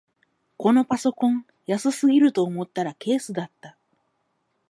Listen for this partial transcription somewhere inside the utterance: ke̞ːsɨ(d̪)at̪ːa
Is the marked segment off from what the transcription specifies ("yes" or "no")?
no